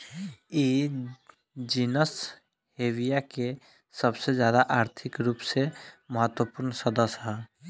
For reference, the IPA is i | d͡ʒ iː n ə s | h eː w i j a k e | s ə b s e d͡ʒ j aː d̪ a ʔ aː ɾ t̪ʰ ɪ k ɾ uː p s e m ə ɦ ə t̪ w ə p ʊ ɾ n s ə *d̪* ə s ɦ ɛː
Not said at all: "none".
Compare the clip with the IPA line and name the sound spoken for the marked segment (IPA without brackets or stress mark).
d̪